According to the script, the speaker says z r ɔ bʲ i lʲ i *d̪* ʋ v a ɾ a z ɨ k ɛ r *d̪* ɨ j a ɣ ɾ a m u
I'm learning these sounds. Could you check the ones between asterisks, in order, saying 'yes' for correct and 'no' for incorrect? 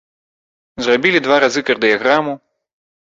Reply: yes, yes

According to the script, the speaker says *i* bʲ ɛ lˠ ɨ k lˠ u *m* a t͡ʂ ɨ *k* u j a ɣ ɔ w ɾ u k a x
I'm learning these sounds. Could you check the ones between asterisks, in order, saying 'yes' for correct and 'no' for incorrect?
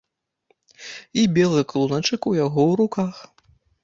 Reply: yes, no, yes

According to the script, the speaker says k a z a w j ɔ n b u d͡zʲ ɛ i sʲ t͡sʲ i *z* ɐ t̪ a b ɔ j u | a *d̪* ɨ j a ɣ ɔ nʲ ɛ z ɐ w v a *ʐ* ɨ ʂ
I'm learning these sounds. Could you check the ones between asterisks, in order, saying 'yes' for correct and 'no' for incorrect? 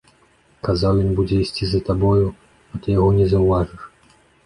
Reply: yes, no, yes

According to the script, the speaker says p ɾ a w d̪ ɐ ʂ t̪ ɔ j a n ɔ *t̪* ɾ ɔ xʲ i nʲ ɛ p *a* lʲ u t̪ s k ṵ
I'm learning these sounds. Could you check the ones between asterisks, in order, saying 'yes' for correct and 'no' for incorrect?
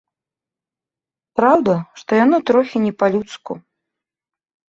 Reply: yes, yes

